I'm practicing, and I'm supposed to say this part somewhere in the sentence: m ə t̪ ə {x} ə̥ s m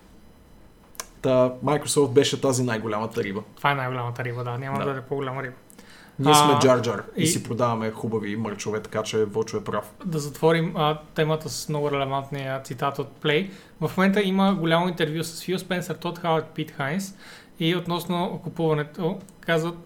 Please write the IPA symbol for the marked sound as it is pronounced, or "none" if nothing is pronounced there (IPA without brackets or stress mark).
s